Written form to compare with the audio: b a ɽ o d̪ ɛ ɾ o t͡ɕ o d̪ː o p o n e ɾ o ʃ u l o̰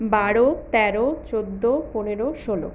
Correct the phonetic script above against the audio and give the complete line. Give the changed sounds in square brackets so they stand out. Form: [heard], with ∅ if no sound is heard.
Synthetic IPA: b a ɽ o [t̪] ɛ ɾ o t͡ɕ o d̪ː o p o n e ɾ o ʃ [o] l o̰

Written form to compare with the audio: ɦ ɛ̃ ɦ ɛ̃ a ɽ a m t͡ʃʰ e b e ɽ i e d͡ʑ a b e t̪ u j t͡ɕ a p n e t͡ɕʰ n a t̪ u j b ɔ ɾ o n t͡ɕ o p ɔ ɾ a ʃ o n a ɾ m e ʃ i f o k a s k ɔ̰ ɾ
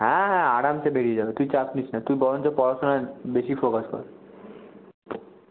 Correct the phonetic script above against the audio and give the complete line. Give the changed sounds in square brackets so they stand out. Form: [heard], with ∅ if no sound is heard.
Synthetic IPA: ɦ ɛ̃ ɦ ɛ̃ a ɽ a m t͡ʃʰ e b e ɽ i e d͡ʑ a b e t̪ u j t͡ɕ a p n [i] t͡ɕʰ n a t̪ u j b ɔ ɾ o n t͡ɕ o p ɔ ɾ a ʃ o n a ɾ [b] e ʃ i f o k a s k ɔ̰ ɾ

